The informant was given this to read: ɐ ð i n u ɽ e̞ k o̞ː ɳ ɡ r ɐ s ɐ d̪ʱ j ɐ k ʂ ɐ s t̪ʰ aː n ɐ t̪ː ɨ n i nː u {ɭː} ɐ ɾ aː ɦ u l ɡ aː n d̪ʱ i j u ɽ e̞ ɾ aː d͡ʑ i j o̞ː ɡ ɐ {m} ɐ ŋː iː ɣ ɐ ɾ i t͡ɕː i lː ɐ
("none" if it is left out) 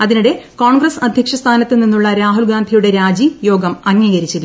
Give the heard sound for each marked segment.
ɭː, m

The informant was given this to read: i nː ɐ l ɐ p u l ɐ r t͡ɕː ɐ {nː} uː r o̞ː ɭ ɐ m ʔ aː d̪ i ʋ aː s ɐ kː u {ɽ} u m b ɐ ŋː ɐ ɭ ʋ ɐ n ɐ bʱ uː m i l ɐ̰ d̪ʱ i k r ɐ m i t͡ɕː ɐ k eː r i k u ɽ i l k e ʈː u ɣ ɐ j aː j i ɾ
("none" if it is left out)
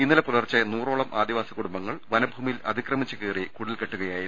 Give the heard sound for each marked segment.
n, ɽ

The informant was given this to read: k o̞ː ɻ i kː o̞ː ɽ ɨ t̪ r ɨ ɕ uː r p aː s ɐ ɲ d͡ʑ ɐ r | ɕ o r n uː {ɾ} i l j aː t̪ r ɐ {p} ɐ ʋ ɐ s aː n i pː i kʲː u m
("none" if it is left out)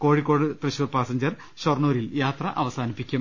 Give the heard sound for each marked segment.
ɾ, ʔ

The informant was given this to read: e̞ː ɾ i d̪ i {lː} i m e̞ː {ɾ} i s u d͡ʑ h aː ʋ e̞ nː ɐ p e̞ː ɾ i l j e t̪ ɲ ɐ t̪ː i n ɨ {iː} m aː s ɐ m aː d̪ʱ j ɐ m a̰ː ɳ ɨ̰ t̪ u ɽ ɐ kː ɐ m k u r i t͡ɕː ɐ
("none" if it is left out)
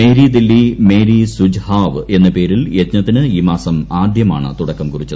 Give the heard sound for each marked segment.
lː, ɾ, iː

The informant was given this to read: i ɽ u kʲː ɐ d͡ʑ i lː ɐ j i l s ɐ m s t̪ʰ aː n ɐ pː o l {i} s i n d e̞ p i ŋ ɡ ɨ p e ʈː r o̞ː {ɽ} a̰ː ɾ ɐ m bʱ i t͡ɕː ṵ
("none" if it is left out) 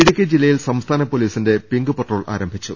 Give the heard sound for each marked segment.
iː, ɭ

